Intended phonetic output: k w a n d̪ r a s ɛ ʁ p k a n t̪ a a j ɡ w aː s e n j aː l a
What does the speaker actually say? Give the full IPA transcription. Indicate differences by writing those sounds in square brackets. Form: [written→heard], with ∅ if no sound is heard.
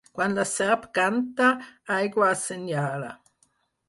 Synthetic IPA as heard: k w a n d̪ [r→l] a s ɛ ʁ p k a n t̪ a a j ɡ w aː s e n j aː l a